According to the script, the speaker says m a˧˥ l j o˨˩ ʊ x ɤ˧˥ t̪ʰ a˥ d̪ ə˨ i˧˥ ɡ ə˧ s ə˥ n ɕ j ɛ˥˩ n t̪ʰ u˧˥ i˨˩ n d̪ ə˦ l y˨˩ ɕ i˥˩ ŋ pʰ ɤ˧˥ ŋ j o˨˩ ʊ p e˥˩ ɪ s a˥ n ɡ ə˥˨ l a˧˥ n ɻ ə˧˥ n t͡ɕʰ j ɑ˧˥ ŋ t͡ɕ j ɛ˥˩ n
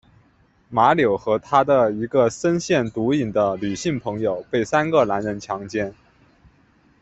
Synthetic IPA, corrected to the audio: m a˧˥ l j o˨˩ ʊ x ɤ˧˥ t̪ʰ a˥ d̪ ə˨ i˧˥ ɡ ə˧ s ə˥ n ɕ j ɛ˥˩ n t̪ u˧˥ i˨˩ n d̪ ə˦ l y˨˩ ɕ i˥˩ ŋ pʰ ɤ˧˥ ŋ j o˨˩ ʊ p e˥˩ ɪ s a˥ n ɡ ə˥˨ l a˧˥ n ɻ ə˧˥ n t͡ɕʰ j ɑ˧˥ ŋ t͡ɕ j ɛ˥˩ n